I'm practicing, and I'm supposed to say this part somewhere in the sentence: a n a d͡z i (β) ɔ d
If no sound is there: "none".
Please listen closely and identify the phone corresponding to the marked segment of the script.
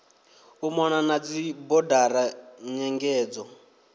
b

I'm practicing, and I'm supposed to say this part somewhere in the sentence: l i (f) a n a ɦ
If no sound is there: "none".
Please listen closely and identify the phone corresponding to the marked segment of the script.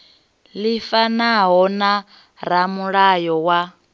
f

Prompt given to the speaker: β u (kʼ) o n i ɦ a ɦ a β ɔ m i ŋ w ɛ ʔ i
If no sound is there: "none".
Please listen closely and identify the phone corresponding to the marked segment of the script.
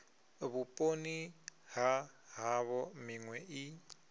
pʼ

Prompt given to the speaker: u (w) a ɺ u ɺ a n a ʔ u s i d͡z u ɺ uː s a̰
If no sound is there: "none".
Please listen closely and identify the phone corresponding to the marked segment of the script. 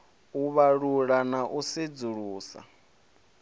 β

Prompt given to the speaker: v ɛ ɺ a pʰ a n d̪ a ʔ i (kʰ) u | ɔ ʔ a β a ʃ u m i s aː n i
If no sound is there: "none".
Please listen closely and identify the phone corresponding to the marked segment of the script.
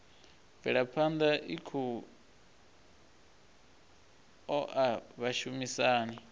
kʰ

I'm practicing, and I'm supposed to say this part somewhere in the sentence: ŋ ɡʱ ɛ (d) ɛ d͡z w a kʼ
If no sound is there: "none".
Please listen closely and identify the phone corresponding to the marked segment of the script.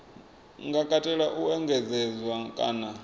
d͡z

